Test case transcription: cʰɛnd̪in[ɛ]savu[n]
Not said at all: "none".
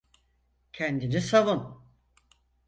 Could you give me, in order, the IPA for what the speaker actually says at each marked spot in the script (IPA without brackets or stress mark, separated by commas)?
i, n